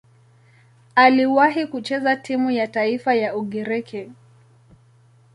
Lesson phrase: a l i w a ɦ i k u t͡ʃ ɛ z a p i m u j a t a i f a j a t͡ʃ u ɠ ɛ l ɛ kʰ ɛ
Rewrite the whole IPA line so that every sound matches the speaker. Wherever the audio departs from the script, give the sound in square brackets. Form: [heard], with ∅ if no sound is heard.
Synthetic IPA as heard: a l i w a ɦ i k u t͡ʃ ɛ z a [t] i m u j a t a i f a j a [∅] u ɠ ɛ [ɾ] ɛ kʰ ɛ